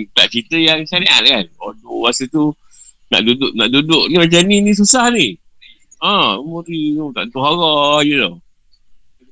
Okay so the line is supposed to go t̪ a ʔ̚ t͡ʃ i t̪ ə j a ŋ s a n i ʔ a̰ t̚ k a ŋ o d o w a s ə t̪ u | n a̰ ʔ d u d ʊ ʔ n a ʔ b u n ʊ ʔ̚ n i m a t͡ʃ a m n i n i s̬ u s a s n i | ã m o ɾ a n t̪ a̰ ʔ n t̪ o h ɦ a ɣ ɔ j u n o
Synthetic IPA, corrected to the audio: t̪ a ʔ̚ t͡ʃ i t̪ ə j a ŋ s a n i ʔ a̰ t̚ k a n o d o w a s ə t̪ u | n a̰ ʔ d u d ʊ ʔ n a ʔ d u d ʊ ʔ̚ n i m a t͡ʃ a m n i n i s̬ u s a h n i | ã m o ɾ i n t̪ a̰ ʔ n t̪ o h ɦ a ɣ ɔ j u n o